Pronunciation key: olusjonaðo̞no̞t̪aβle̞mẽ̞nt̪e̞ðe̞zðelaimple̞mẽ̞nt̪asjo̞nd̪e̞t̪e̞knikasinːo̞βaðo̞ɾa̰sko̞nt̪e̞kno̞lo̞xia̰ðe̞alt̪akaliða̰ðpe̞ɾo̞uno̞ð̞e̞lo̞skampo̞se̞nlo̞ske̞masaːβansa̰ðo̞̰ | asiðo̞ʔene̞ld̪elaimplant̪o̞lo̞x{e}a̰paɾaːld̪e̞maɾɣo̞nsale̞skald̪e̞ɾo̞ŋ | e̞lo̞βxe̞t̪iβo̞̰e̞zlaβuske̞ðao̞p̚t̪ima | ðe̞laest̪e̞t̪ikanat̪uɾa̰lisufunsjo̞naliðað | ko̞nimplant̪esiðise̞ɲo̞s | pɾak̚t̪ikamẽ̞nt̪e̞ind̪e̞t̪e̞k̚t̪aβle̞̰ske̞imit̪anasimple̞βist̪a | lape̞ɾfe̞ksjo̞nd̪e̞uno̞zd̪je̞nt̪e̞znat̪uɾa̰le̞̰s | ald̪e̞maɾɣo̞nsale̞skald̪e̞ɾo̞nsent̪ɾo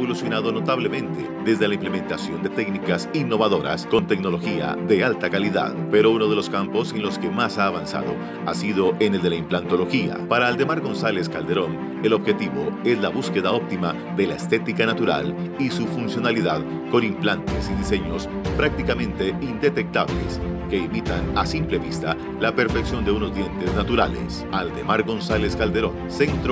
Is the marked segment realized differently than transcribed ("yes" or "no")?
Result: yes